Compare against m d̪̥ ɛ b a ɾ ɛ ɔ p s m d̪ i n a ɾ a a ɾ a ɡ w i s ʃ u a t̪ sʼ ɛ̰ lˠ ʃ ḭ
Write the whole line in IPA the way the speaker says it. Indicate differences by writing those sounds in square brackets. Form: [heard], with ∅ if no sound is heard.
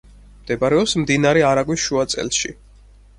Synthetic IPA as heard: m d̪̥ ɛ b a ɾ ɛ ɔ p s m d̪ i n a ɾ [ɛ] a ɾ a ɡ w i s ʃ u a t̪ sʼ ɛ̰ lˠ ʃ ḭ